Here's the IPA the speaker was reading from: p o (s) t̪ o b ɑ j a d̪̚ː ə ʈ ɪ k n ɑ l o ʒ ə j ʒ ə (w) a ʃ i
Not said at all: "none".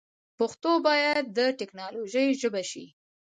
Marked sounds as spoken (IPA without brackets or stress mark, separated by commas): x, b